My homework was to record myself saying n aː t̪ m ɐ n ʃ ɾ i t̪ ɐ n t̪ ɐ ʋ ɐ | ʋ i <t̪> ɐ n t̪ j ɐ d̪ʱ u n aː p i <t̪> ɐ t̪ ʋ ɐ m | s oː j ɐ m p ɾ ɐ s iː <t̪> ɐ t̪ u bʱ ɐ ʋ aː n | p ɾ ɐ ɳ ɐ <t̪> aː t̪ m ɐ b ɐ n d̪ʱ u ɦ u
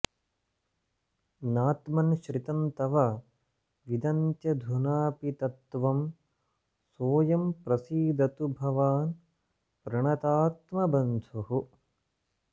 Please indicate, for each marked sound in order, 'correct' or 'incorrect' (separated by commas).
incorrect, correct, incorrect, correct